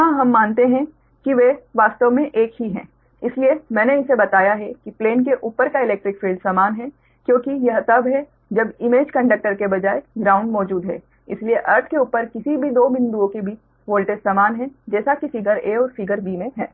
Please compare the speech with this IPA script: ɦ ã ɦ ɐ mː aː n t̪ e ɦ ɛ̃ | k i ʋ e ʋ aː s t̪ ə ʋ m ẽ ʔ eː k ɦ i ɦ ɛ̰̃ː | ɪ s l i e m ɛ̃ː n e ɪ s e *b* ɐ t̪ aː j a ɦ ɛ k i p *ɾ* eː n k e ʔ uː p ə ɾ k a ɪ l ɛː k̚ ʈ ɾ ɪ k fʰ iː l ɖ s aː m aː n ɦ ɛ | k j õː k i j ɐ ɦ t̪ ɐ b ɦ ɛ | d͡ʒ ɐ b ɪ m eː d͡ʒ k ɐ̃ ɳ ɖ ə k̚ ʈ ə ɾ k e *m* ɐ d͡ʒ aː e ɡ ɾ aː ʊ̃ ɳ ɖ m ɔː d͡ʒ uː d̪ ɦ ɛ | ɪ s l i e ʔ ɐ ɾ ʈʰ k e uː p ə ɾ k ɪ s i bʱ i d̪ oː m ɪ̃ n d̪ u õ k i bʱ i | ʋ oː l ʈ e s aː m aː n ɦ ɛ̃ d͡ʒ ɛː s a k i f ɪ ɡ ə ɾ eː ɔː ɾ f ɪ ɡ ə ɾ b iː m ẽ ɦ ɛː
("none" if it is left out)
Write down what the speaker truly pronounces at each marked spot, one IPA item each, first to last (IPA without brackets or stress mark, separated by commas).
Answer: b, l, b